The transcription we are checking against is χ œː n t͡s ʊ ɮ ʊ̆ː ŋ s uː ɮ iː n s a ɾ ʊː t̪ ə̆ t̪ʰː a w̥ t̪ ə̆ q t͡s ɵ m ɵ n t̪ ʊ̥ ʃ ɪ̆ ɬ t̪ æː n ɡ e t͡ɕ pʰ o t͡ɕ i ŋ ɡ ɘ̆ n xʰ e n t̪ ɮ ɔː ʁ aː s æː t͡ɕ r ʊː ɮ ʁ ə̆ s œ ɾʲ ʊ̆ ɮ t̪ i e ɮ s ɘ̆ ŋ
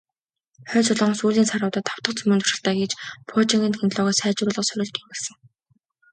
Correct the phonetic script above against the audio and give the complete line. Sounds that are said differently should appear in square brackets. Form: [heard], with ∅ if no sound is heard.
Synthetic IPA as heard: χ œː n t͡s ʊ ɮ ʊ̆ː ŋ s uː ɮ iː n s a ɾ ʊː t̪ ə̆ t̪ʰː a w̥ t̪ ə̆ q t͡s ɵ m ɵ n t̪ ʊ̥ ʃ ɪ̆ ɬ t̪ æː [∅] ɡ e t͡ɕ pʰ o t͡ɕ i ŋ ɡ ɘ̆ n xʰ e n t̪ ɮ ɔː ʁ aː s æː t͡ɕ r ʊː ɮ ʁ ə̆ s œ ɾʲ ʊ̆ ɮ t̪ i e ɮ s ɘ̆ ŋ